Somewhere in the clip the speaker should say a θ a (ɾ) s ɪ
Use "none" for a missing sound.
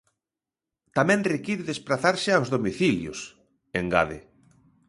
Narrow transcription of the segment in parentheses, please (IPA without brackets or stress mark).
ɾ